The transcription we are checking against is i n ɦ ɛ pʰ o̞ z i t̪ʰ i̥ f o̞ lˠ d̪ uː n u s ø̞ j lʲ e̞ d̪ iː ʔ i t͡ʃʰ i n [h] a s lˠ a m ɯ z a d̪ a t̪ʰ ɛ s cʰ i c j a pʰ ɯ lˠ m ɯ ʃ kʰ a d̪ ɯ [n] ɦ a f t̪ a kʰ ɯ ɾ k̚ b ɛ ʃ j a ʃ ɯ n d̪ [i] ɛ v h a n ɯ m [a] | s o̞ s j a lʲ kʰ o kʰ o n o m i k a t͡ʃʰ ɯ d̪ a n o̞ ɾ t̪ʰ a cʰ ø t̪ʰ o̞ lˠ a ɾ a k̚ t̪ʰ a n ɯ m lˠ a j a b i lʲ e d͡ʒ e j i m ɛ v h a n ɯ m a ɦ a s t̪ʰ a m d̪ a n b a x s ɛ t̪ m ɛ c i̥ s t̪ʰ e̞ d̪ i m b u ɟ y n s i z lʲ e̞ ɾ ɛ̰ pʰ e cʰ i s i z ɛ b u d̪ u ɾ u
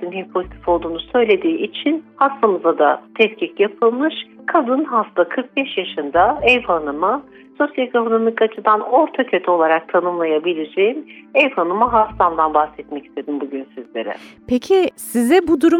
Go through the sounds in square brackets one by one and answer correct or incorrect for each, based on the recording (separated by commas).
correct, correct, incorrect, correct